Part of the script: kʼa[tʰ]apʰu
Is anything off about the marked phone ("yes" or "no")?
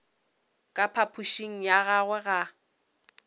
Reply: yes